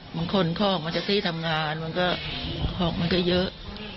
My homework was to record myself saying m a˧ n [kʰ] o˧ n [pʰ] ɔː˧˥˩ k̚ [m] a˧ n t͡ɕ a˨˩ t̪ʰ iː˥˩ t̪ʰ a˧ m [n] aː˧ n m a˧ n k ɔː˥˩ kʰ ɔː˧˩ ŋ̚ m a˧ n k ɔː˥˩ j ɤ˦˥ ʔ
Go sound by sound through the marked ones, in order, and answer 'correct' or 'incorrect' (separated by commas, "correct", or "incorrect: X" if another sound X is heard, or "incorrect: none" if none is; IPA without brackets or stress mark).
correct, incorrect: kʰ, correct, incorrect: ŋ